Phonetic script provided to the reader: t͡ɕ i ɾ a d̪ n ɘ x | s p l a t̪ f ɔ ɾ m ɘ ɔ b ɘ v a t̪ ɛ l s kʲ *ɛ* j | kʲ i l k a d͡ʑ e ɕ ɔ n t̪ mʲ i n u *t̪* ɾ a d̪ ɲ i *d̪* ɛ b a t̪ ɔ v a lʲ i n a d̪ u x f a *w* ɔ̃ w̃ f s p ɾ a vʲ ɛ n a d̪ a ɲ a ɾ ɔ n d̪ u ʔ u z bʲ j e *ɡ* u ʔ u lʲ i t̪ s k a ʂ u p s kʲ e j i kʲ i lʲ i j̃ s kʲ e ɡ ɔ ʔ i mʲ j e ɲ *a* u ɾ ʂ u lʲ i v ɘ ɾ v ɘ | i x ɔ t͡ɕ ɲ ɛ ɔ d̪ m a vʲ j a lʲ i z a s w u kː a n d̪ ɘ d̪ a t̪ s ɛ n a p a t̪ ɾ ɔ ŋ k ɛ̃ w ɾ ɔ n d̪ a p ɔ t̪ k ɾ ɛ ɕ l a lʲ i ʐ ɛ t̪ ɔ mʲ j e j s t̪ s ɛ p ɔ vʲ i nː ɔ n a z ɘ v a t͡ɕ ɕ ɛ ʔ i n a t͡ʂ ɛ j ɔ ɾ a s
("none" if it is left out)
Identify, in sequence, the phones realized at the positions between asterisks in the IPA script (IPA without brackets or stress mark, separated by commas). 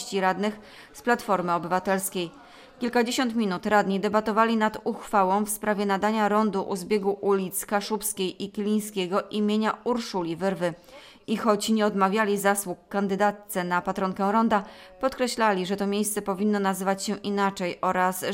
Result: e, t̪, d̪, w, ɡ, a